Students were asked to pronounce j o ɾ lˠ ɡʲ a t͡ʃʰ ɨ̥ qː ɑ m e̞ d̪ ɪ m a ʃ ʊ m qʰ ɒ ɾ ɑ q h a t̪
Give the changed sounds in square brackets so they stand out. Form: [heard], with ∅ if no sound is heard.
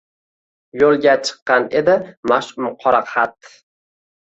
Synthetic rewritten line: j o [∅] lˠ ɡʲ a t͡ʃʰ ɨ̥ qː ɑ [n] e̞ d̪ ɪ m a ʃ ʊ m qʰ ɒ ɾ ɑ q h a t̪